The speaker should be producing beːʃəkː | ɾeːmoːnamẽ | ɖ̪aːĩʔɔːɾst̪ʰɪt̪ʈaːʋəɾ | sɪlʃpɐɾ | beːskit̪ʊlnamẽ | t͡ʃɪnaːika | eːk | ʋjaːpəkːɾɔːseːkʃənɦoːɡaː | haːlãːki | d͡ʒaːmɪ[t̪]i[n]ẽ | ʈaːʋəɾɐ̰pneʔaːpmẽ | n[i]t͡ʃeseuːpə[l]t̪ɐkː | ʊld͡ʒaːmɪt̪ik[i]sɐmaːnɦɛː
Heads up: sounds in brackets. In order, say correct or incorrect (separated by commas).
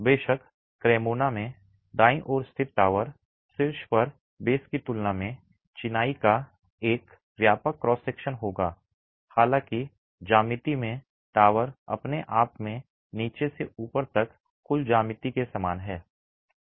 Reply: correct, incorrect, incorrect, incorrect, incorrect